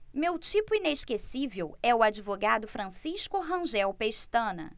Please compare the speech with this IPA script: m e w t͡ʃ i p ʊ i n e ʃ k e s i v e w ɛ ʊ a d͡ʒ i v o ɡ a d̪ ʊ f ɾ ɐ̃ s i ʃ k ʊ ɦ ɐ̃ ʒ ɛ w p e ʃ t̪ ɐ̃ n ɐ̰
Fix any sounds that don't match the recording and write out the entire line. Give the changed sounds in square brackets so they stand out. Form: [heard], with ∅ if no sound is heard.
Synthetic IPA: m e w t͡ʃ i p ʊ i n e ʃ k e s i v e w ɛ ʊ a d͡ʒ i v o ɡ a d̪ ʊ f ɾ ɐ̃ s i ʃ k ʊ ɦ ɐ̃ ʒ ɛ w p e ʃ t̪ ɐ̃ n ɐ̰